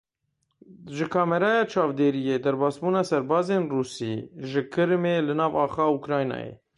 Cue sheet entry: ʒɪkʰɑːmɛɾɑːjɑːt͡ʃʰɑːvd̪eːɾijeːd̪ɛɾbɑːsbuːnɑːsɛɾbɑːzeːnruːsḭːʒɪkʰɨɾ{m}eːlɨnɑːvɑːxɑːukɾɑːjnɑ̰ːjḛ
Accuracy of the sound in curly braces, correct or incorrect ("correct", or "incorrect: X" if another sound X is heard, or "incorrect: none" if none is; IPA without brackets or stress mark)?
correct